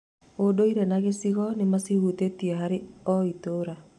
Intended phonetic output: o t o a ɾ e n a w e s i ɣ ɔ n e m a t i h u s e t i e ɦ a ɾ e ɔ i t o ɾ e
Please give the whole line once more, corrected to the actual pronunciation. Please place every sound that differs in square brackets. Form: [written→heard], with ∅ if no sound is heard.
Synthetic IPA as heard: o [t→d] o [a→i] ɾ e n a [w→ɣ] e s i ɣ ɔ n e m a [t→s] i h u [s→t] e t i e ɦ a ɾ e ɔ i t o ɾ [e→a]